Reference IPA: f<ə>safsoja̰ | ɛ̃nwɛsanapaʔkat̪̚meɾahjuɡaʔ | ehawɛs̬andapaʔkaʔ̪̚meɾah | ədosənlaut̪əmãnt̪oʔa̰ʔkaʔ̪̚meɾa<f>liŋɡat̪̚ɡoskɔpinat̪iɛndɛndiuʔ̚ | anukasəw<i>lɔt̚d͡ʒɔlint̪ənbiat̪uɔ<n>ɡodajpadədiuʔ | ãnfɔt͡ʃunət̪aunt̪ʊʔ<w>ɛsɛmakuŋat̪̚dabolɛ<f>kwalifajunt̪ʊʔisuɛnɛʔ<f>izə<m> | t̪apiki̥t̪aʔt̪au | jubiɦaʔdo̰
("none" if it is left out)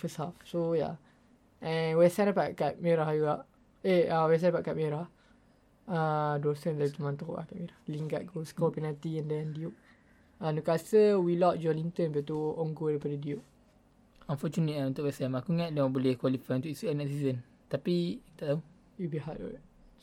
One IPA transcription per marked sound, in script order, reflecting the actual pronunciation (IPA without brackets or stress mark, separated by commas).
ə, h, i, ŋ, w, h, s, n